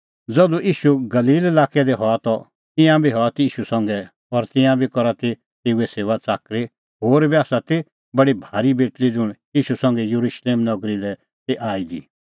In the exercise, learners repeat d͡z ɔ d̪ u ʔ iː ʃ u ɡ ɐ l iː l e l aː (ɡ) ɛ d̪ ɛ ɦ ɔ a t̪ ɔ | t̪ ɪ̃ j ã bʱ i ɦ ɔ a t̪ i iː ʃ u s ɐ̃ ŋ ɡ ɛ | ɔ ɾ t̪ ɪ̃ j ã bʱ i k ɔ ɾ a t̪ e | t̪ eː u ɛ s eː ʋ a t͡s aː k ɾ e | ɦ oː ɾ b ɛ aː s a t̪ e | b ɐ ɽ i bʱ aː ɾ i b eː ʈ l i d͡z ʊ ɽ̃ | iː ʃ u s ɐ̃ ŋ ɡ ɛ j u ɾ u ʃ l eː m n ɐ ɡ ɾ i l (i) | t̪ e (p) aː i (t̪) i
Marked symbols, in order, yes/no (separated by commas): no, no, no, no